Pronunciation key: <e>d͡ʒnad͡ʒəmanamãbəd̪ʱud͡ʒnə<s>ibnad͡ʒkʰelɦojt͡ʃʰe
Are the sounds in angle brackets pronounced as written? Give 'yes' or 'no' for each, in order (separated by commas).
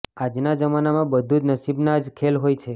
no, yes